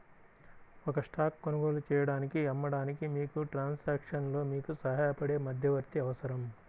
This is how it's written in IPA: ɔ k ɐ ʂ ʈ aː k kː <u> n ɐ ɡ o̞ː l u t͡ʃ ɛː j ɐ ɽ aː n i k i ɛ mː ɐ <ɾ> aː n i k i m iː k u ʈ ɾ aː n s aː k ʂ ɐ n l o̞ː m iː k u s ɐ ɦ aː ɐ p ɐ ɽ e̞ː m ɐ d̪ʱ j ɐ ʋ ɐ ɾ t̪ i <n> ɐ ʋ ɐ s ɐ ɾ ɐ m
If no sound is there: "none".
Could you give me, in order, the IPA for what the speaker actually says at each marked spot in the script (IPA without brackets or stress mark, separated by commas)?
o, ɽ, none